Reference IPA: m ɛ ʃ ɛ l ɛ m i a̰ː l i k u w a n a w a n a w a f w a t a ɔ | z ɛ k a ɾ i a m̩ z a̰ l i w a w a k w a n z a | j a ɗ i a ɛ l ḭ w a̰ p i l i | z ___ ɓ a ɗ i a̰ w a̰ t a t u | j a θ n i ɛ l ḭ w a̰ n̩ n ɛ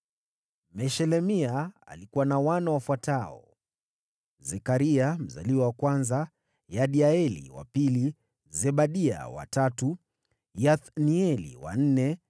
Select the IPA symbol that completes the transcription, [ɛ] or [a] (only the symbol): ɛ